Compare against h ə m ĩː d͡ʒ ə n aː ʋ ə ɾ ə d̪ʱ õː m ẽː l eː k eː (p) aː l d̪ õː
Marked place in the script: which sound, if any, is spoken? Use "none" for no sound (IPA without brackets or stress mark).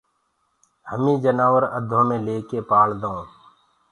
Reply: p